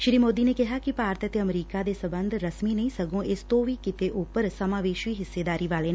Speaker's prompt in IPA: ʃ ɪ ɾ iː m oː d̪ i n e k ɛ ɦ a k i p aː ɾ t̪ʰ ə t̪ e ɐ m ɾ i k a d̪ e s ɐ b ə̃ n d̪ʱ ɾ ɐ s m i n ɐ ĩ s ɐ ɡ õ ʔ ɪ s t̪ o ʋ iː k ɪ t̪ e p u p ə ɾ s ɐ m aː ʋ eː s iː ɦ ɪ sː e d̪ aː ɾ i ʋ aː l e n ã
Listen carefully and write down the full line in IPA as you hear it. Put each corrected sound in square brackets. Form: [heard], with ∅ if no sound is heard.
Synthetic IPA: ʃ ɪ ɾ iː m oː d̪ i n e k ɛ ɦ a k i p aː ɾ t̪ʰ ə t̪ e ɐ m ɾ [iː] k a d̪ e s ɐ b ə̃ n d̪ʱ ɾ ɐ s m i n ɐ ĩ s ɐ ɡ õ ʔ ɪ s t̪ o ʋ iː k ɪ t̪ e [ʔ] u p ə ɾ s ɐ m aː ʋ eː [ʃ] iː ɦ ɪ sː e d̪ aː ɾ i ʋ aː l e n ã